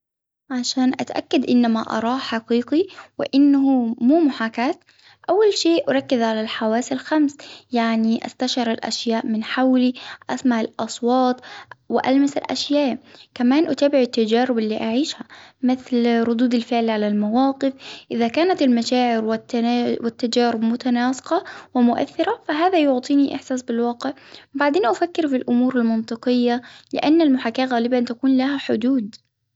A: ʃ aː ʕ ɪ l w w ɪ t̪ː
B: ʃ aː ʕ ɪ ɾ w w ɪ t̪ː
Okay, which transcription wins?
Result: B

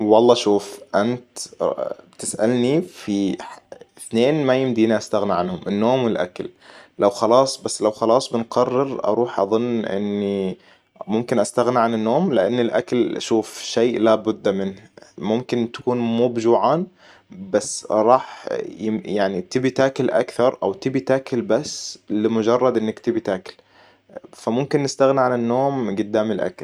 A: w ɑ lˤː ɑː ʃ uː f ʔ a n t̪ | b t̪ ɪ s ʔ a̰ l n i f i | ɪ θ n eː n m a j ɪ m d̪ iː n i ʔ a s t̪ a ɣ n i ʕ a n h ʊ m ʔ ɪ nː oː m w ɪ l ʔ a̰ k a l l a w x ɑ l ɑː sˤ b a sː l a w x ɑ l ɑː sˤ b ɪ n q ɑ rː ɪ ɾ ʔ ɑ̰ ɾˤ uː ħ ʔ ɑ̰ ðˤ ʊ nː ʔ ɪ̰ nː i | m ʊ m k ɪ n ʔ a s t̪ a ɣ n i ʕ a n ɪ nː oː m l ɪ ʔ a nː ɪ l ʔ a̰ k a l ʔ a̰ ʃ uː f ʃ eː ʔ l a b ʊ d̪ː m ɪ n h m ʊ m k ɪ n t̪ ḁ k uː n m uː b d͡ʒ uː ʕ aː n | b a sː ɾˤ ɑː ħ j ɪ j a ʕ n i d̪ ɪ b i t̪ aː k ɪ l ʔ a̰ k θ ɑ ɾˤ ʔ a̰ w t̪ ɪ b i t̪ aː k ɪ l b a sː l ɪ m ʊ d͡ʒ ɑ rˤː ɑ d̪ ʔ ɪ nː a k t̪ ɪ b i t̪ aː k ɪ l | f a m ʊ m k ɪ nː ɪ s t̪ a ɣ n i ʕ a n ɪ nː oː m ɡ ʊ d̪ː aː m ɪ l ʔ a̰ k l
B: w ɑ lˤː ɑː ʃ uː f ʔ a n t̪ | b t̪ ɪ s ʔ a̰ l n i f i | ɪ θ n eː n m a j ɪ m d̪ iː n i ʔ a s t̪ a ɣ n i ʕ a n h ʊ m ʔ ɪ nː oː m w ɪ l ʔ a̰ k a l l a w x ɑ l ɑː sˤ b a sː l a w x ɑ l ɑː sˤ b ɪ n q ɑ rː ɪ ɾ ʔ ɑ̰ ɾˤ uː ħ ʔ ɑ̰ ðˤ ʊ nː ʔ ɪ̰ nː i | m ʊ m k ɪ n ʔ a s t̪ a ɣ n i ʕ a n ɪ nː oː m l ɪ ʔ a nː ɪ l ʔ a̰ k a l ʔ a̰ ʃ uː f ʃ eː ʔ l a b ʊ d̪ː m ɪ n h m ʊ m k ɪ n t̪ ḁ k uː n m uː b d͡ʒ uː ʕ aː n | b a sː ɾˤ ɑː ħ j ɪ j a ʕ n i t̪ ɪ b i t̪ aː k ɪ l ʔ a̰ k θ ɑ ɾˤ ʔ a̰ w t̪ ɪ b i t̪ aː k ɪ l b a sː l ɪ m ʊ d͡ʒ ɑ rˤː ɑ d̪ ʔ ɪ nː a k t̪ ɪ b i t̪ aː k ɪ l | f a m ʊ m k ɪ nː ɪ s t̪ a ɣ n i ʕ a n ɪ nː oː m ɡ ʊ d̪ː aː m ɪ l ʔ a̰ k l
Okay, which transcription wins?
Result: B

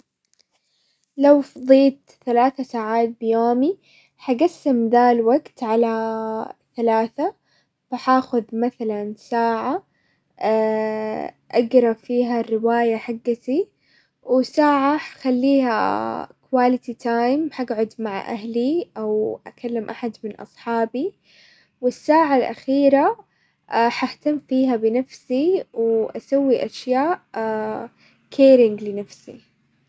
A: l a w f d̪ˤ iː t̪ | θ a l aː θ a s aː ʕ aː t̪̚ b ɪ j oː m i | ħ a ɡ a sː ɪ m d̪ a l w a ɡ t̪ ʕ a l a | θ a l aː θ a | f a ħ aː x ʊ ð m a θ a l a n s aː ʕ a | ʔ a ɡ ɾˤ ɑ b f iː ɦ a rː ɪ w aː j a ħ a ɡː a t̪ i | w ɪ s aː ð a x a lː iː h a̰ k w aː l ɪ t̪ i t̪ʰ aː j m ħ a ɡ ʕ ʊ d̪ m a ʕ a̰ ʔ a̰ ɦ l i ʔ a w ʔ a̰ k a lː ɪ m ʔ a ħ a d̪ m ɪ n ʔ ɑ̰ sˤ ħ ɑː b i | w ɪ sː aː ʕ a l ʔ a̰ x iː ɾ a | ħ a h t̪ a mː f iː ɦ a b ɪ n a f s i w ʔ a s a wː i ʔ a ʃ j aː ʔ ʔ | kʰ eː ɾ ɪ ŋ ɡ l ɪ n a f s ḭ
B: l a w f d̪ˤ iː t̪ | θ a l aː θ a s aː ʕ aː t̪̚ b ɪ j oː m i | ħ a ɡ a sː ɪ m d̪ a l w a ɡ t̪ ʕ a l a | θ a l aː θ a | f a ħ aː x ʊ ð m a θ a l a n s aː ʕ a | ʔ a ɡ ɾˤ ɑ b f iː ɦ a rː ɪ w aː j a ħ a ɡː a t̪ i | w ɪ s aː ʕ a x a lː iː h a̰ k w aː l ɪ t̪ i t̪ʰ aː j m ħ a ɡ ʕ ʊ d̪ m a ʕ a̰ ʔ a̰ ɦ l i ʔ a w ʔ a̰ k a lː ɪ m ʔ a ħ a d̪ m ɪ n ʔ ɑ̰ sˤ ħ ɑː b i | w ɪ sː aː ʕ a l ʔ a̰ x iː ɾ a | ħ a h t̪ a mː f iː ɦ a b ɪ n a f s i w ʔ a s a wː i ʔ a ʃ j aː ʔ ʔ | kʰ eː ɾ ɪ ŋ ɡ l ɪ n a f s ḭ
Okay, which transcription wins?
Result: B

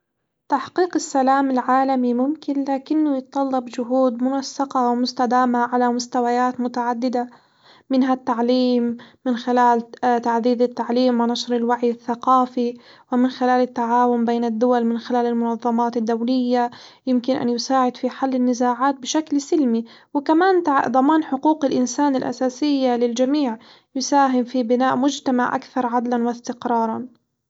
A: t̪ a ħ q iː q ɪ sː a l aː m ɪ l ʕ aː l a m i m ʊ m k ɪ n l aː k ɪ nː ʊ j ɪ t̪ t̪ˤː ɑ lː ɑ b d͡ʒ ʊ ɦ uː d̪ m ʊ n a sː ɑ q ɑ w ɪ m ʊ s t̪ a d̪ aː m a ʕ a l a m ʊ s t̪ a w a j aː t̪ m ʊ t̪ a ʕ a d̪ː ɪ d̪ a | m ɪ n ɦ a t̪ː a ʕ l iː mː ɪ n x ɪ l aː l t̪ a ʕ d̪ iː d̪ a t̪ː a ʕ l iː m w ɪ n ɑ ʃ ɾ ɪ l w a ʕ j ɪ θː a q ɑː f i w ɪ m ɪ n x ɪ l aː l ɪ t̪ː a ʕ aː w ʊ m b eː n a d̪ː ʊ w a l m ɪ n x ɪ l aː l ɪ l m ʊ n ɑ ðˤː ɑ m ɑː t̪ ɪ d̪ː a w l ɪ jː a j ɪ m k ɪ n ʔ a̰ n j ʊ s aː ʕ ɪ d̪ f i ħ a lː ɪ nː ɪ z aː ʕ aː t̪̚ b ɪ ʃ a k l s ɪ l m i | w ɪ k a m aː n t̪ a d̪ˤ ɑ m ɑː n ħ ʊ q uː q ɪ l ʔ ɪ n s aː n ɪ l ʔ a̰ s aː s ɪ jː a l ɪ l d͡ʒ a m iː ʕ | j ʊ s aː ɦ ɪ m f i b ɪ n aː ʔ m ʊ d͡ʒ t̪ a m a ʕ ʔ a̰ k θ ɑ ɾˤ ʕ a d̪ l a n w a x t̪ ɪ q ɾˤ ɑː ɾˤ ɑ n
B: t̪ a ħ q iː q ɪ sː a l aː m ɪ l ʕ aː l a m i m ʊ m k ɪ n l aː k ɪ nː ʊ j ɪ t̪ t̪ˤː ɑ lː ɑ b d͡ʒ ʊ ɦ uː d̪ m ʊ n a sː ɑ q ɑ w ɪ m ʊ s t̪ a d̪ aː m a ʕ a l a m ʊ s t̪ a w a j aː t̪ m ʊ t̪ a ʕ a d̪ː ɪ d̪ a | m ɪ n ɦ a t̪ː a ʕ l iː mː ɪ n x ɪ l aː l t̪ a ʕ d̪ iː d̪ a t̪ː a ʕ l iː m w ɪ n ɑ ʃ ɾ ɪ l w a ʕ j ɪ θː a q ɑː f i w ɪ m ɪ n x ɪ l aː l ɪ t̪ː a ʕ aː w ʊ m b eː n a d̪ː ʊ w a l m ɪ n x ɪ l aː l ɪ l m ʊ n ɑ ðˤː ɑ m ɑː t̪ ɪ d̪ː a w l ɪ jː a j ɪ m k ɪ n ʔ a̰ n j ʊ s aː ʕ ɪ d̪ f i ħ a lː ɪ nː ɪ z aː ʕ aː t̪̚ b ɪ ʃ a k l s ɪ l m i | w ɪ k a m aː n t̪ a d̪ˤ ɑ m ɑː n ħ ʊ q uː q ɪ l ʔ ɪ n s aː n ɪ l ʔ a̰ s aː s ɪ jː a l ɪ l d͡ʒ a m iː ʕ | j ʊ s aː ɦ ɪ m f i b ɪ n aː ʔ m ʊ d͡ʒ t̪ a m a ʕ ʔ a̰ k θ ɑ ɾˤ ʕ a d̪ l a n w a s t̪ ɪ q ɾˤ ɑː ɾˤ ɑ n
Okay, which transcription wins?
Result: B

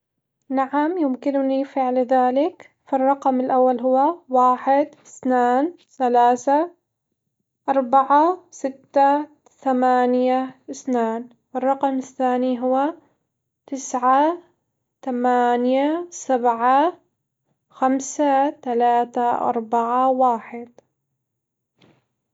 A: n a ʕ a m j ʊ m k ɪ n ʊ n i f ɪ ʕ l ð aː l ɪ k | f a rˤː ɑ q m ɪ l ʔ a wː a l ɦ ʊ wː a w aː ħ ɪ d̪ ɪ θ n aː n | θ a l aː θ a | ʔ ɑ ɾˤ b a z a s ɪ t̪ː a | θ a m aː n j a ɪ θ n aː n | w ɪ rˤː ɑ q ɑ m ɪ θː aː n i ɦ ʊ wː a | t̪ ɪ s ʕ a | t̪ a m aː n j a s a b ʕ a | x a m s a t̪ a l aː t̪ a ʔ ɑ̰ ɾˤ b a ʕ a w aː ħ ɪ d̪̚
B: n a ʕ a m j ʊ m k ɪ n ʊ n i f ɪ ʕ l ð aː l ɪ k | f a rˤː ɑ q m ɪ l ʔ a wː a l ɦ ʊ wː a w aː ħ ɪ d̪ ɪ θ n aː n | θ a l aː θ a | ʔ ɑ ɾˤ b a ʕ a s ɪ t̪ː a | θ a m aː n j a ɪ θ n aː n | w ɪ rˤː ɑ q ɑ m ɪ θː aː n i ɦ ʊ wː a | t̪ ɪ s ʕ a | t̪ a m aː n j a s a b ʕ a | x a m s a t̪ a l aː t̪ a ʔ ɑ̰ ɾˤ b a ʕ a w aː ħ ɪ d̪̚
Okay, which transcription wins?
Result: B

